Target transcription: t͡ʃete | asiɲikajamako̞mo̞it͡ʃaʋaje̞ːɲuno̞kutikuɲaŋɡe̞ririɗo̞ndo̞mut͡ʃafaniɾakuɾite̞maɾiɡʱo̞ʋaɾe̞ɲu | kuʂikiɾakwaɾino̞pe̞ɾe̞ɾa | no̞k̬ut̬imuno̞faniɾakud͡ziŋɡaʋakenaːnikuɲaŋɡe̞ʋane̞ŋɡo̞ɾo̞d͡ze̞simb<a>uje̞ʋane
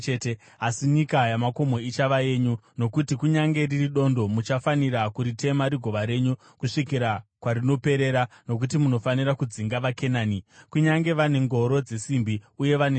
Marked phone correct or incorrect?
incorrect: i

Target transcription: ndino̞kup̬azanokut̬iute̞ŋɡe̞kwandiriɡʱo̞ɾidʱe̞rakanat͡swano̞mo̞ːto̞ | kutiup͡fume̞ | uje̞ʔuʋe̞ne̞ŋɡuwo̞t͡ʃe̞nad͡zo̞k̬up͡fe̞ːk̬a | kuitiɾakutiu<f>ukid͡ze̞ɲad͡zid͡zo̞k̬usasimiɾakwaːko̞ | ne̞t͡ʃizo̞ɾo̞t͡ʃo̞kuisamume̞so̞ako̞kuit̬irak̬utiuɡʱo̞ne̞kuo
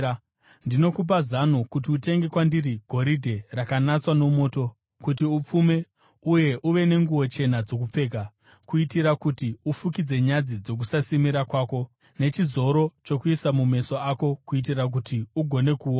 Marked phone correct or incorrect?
correct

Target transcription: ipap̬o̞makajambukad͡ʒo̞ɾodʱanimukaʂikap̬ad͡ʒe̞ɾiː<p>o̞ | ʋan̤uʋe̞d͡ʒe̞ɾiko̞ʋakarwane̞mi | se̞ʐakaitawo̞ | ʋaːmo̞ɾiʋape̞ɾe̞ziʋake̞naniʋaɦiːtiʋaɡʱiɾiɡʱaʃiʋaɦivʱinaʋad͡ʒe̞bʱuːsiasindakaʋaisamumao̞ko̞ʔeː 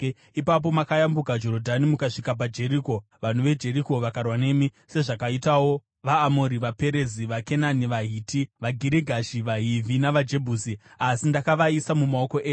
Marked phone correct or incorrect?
incorrect: k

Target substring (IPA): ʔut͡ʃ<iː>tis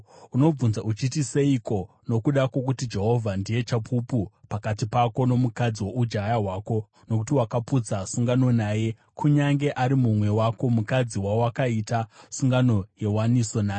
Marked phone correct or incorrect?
incorrect: i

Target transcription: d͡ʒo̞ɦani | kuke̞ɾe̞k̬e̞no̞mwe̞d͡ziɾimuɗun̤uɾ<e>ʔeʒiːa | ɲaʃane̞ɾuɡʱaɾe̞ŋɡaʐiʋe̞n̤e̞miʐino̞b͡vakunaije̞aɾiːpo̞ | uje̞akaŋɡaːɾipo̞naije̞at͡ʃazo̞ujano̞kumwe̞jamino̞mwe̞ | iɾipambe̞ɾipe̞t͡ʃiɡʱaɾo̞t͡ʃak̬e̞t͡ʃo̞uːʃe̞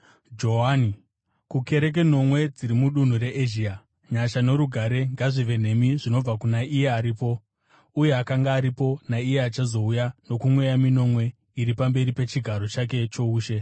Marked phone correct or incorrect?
correct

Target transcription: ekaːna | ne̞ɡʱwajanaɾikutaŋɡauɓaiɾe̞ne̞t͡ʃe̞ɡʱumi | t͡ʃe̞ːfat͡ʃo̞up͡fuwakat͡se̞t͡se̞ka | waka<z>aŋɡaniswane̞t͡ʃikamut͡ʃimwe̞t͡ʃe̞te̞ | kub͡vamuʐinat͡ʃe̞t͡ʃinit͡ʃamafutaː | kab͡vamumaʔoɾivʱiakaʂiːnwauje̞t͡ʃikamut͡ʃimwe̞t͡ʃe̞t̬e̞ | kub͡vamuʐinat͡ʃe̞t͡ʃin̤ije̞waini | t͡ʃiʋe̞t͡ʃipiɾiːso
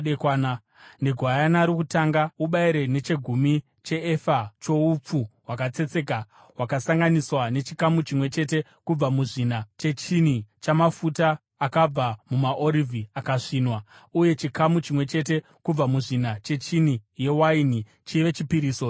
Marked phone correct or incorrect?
incorrect: s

